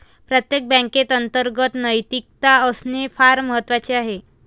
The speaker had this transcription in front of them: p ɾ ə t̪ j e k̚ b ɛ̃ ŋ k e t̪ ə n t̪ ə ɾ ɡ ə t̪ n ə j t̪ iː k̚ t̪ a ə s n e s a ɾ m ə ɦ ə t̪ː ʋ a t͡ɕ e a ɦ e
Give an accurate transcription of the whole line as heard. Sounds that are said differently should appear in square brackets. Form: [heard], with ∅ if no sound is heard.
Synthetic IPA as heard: p ɾ ə t̪ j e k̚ b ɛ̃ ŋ k e t̪ ə n t̪ ə ɾ ɡ ə t̪ n ə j t̪ [i] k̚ t̪ a ə s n e [f] a ɾ m ə ɦ ə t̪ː ʋ a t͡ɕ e a ɦ e